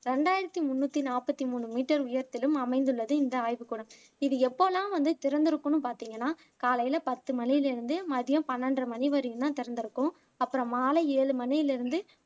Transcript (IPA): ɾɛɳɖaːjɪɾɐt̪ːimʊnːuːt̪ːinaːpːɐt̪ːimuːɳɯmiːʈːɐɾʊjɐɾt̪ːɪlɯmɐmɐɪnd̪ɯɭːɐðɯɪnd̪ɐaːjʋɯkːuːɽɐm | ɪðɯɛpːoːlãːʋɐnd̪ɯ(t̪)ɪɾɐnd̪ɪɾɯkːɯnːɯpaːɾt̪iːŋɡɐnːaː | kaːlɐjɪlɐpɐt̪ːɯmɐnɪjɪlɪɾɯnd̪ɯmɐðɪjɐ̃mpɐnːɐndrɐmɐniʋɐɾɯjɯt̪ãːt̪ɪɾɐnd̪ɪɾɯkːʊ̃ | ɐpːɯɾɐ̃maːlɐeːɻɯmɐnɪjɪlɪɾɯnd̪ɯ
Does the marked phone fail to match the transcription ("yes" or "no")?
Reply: no